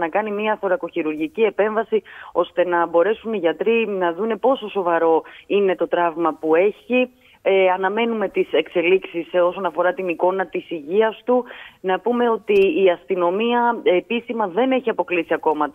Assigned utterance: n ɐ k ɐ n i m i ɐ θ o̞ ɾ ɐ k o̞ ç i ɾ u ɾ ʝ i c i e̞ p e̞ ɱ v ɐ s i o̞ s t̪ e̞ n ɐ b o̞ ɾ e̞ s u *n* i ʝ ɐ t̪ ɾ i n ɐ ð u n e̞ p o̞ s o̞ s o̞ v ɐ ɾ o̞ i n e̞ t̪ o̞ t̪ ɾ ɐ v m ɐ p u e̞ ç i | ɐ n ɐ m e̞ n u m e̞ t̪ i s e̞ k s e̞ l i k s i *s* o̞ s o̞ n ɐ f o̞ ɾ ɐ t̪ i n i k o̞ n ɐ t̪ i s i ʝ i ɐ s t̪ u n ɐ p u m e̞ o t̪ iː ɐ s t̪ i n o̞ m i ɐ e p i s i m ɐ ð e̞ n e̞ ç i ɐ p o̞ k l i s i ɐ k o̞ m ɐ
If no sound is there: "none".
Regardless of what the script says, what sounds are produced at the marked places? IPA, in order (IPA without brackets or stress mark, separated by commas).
n, s